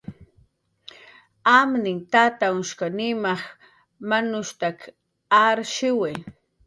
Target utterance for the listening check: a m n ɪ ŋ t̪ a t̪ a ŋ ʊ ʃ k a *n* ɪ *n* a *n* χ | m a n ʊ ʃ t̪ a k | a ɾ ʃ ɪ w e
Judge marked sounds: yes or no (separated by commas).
yes, no, no